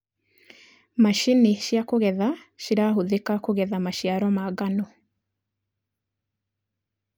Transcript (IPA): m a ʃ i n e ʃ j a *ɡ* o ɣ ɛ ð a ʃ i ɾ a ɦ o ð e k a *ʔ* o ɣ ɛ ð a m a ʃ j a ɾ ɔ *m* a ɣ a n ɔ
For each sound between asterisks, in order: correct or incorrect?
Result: incorrect, incorrect, correct

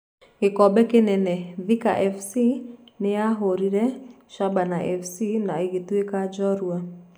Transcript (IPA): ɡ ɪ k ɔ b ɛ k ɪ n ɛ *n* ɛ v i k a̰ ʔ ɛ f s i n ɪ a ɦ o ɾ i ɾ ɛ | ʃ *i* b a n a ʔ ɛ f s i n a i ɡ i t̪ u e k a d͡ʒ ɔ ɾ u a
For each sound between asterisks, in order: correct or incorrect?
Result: correct, incorrect

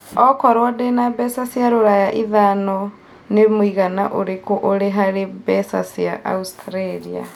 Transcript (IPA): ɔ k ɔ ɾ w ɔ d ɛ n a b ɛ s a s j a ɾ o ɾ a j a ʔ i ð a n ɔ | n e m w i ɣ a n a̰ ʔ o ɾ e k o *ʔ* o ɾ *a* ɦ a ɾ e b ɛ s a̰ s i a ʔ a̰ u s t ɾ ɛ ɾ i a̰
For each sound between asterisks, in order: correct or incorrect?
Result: correct, incorrect

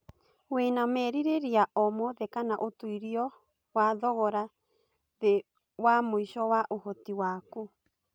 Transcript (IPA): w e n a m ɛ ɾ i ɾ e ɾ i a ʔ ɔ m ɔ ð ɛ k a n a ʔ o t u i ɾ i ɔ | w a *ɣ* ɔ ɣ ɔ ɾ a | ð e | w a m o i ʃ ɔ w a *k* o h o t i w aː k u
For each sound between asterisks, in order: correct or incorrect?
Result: incorrect, incorrect

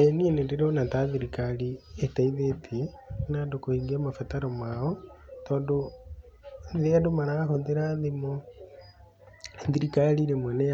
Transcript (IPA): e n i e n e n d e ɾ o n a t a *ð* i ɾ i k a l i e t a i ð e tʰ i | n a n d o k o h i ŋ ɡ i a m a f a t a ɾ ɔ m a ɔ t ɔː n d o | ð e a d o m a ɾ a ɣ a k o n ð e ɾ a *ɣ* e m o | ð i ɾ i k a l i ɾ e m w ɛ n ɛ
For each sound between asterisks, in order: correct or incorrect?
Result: correct, incorrect

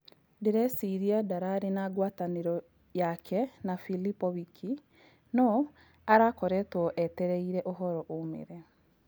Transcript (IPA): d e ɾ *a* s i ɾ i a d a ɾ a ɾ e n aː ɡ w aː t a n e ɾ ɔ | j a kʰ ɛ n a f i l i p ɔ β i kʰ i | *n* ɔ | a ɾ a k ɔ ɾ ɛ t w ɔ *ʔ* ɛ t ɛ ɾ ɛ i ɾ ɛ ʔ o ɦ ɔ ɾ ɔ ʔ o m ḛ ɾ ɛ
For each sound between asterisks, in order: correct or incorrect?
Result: incorrect, correct, correct

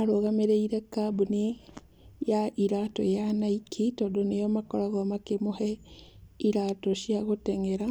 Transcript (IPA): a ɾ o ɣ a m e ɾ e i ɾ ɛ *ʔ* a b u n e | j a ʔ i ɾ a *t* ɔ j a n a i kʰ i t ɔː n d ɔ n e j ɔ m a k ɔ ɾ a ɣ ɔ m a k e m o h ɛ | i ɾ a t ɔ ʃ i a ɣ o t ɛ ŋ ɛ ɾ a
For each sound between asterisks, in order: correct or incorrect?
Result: incorrect, correct

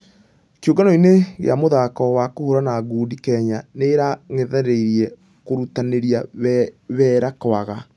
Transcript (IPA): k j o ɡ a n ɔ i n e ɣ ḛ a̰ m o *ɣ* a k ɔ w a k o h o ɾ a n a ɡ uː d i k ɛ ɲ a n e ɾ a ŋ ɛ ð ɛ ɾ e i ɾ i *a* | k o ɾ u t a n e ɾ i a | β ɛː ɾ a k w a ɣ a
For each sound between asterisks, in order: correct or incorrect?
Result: incorrect, incorrect

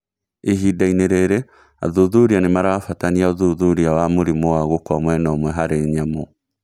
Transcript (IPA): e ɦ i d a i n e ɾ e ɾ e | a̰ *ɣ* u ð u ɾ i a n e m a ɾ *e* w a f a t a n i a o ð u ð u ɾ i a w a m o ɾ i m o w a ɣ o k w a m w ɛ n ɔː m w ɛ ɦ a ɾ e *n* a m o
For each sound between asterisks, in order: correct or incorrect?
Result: incorrect, incorrect, incorrect

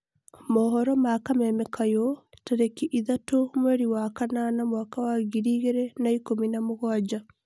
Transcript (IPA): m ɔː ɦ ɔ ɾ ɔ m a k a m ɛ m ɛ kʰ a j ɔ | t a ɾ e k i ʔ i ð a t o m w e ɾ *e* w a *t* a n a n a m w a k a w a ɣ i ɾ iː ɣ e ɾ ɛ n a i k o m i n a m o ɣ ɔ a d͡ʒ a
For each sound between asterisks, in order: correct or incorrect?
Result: incorrect, incorrect

